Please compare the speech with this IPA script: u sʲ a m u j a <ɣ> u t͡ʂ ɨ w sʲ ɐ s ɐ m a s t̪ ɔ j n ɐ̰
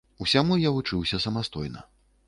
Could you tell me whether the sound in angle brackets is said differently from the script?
yes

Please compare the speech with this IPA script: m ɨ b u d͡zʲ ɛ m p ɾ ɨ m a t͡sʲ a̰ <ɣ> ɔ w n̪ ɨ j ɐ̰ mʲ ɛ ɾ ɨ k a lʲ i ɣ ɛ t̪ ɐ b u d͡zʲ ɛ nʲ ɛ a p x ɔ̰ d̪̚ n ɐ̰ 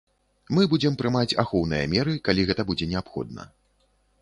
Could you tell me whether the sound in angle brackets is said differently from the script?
yes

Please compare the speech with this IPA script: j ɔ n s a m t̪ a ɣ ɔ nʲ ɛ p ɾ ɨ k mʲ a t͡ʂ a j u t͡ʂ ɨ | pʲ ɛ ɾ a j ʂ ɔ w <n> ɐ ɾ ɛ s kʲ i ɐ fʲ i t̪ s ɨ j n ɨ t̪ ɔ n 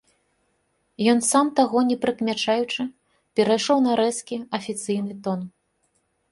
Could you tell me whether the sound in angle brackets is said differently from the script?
no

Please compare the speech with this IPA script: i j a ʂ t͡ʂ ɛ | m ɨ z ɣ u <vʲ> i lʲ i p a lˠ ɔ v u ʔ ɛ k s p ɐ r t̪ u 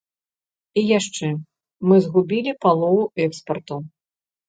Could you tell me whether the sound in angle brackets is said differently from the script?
yes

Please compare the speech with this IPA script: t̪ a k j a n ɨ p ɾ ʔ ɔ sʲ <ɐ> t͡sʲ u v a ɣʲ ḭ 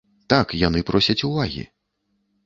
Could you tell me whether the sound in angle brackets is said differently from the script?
no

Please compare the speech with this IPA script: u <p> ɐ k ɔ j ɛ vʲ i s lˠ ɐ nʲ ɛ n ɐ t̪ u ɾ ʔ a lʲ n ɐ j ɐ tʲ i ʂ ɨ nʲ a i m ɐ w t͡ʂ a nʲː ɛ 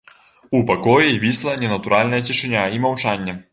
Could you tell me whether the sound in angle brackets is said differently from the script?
no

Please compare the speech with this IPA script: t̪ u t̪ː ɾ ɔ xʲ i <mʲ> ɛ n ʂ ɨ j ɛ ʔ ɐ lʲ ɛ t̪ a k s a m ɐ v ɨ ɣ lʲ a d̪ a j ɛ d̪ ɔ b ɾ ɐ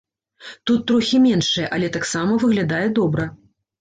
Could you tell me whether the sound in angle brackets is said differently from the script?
no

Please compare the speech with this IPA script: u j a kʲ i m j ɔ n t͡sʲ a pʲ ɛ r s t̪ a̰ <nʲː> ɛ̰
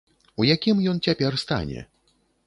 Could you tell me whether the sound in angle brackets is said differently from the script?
yes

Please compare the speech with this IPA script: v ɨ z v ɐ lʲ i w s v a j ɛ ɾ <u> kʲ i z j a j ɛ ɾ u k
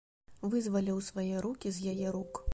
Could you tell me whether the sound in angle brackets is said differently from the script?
no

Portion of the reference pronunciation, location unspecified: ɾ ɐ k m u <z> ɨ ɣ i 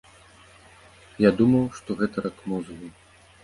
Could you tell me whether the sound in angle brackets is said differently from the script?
no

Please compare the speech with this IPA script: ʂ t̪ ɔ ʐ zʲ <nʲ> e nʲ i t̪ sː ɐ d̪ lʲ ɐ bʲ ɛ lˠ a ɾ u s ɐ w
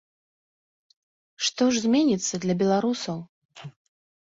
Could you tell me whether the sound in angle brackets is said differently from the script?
yes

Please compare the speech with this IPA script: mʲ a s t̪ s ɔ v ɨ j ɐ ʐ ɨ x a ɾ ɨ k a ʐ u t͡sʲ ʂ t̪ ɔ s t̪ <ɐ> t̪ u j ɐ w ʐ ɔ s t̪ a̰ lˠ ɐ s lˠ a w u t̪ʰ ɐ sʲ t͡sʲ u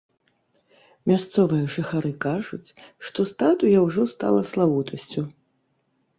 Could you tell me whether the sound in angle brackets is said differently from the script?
yes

